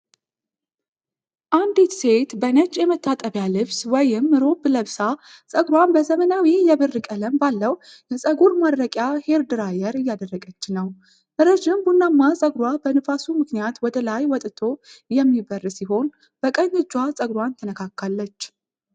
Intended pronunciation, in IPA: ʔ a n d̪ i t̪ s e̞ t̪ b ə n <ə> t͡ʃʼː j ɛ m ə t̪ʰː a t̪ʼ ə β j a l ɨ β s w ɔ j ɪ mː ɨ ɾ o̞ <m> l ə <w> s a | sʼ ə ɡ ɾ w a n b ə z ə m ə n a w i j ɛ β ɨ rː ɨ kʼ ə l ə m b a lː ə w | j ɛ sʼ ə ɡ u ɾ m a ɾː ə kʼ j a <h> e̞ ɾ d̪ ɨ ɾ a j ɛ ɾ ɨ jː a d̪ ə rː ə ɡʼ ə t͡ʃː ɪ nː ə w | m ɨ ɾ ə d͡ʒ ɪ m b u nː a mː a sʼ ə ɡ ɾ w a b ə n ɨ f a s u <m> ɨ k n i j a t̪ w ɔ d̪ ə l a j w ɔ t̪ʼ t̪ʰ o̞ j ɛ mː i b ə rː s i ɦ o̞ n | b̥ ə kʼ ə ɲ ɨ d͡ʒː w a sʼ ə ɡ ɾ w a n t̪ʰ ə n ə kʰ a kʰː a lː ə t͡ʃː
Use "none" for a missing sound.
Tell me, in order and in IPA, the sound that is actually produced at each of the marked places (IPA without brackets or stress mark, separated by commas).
ə, b, β, h, m